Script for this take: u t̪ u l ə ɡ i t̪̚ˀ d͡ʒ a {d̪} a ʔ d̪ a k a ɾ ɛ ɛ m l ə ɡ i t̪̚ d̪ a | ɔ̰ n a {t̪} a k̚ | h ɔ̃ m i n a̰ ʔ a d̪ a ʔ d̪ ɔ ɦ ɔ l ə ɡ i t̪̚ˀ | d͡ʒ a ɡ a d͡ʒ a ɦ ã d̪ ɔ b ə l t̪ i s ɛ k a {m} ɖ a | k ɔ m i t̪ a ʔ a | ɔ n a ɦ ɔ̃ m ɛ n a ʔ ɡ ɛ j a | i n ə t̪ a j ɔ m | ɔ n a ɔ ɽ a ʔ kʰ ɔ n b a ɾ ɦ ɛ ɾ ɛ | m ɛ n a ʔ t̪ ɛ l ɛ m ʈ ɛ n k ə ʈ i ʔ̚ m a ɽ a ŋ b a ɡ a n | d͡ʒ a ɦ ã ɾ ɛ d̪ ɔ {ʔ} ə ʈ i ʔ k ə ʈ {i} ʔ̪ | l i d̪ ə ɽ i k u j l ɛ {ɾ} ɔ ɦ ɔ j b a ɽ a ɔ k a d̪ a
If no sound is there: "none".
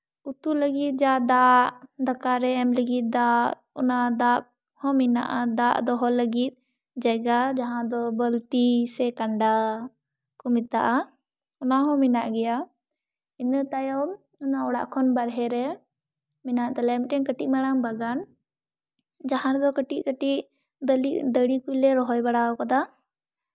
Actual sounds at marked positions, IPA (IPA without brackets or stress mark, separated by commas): d̪, d̪, ɳ, k, i, ɾ